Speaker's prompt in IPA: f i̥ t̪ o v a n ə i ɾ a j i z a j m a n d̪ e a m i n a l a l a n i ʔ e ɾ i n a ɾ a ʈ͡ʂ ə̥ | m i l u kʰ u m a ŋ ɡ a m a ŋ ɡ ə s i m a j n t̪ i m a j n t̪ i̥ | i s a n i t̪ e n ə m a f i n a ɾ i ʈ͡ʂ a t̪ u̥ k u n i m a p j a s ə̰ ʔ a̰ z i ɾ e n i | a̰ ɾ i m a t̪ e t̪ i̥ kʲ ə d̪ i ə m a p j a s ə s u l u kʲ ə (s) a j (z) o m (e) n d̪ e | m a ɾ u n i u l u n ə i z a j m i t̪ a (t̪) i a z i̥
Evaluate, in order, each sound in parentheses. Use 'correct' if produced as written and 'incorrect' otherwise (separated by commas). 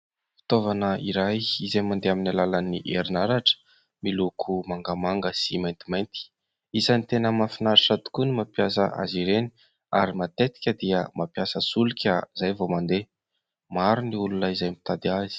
incorrect, incorrect, incorrect, incorrect